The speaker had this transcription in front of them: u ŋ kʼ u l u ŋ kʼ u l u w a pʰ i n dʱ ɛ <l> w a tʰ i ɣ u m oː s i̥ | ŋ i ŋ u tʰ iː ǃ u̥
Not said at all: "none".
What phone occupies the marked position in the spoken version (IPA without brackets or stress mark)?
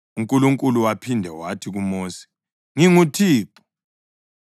none